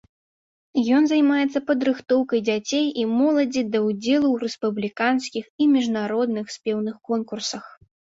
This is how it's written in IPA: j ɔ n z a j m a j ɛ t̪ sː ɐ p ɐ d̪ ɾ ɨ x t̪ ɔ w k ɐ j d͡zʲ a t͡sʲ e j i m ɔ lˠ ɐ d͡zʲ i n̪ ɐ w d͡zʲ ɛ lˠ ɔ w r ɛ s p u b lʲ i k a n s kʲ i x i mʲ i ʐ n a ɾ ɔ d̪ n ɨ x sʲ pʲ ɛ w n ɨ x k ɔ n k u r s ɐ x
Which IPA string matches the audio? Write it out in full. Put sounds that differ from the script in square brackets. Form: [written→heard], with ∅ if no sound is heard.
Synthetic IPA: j ɔ n z a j m a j ɛ t̪ sː ɐ p ɐ d̪ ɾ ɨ x t̪ ɔ w k ɐ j d͡zʲ a t͡sʲ e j i m ɔ lˠ ɐ d͡zʲ i [n̪→d̪] ɐ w d͡zʲ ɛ lˠ [ɔ→u] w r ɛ s p u b lʲ i k a n s kʲ i x i mʲ i ʐ n a ɾ ɔ d̪ n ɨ x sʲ pʲ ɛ w n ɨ x k ɔ n k u r s ɐ x